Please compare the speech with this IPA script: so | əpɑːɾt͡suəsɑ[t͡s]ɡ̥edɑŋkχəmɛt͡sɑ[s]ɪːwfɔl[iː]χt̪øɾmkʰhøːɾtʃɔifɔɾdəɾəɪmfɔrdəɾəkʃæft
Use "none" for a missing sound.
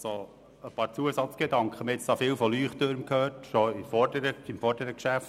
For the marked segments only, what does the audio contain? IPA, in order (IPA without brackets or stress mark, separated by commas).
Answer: t͡s, f, yː